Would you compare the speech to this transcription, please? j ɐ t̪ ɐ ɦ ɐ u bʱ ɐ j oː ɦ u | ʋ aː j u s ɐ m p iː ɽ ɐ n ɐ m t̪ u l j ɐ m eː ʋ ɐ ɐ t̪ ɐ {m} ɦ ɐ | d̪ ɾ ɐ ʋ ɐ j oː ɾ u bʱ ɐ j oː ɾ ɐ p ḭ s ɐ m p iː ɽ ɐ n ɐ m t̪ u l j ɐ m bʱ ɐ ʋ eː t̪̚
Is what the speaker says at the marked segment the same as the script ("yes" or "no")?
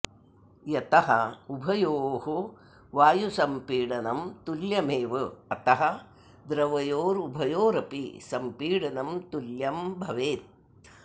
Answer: no